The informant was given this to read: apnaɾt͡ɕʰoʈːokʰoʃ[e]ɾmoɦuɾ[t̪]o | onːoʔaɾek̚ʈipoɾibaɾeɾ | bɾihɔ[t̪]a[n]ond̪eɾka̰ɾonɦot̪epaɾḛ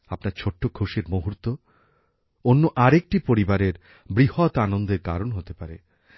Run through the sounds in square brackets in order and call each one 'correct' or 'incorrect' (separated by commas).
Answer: correct, correct, correct, correct